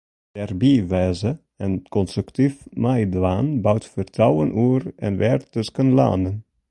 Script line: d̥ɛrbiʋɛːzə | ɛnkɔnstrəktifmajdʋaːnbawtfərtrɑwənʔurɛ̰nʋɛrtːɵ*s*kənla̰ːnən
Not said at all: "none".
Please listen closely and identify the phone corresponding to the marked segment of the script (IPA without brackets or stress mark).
s